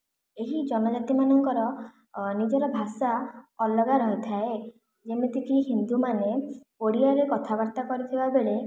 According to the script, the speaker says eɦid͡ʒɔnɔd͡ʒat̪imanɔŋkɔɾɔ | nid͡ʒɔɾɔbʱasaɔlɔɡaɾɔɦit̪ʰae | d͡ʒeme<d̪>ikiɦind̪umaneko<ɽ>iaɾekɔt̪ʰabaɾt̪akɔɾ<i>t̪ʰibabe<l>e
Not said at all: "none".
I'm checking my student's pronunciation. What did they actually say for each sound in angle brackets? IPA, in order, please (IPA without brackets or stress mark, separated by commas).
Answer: t̪, ɽ, i, ɭ